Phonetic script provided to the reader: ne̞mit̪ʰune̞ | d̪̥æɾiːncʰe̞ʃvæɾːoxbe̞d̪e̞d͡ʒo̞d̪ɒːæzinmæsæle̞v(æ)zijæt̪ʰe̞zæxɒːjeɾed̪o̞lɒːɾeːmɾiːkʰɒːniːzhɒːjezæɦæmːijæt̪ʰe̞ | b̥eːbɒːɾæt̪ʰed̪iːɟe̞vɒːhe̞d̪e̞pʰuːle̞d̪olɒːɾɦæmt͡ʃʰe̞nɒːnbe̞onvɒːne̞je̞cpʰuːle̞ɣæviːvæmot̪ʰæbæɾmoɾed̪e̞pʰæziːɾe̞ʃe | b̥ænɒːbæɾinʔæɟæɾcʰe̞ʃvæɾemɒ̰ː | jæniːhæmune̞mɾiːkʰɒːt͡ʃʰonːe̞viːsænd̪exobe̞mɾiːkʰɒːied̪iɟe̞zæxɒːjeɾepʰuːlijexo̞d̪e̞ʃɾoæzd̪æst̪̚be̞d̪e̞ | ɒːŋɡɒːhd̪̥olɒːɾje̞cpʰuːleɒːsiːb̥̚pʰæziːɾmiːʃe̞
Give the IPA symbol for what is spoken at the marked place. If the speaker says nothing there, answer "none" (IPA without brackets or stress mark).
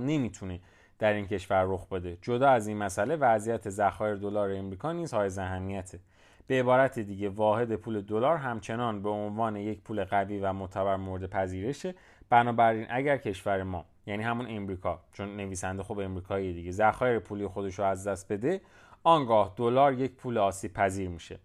æ